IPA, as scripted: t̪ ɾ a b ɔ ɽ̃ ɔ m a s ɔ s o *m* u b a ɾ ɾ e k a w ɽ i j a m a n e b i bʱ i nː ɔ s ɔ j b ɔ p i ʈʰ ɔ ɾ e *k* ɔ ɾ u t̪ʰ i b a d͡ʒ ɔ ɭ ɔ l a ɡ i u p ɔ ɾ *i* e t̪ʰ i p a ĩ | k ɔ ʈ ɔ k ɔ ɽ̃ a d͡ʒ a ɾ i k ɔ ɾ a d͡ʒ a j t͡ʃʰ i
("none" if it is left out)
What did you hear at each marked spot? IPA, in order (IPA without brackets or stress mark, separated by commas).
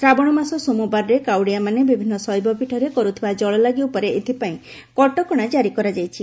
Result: m, k, e